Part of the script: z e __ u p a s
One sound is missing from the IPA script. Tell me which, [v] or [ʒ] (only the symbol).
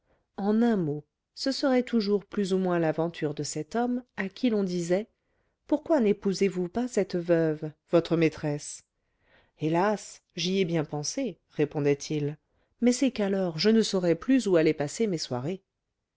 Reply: v